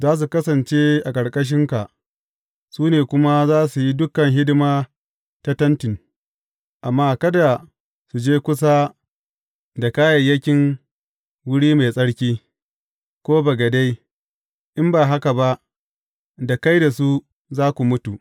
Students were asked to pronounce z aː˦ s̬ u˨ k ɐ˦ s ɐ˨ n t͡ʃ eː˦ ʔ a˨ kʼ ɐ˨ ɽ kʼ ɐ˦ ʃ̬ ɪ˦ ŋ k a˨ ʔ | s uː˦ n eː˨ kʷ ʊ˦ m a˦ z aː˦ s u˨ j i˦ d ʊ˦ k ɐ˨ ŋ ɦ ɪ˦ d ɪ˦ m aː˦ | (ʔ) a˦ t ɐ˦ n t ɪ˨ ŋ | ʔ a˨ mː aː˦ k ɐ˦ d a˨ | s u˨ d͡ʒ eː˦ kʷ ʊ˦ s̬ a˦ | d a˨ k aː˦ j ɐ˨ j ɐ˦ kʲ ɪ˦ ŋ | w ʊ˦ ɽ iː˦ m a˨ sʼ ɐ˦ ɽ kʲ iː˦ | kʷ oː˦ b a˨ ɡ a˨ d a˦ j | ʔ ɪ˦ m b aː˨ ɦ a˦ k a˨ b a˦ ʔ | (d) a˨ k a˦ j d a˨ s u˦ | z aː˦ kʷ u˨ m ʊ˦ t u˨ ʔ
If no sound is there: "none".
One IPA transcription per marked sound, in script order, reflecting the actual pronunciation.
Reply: t, d

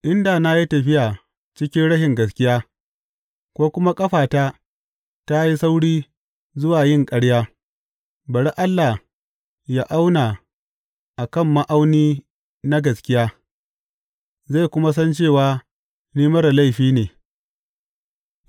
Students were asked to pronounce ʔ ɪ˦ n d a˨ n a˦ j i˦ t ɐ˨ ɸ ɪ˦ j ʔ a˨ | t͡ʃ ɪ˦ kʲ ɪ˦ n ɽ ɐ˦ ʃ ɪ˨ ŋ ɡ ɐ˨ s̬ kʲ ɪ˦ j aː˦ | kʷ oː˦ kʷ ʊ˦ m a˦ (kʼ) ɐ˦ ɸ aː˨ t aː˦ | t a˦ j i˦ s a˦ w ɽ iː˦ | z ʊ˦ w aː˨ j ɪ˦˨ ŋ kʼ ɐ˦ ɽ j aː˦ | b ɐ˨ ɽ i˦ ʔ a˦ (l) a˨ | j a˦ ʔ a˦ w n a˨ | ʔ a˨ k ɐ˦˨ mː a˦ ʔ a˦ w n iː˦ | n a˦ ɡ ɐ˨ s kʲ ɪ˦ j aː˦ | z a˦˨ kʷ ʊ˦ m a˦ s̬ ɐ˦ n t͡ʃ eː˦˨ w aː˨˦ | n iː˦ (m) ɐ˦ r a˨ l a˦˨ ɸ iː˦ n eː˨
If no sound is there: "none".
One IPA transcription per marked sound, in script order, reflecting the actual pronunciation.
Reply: kʼ, lː, m

